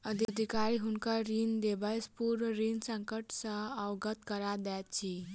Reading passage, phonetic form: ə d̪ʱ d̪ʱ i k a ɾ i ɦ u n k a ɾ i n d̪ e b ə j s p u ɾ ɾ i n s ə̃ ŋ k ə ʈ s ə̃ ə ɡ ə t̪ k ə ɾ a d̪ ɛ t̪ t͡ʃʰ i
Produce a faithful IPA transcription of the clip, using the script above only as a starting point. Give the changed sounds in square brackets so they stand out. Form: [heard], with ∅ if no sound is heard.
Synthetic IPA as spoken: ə d̪ʱ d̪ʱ i k a ɾ i ɦ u n k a ɾ i n d̪ e b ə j s p u ɾ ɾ i n s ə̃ ŋ k ə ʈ s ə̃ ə ɡ ə t̪ k ə ɾ a d̪ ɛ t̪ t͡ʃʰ i